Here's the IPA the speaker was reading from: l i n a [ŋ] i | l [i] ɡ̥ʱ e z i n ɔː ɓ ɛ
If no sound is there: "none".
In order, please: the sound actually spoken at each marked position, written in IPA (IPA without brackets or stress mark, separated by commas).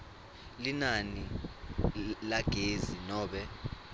n, a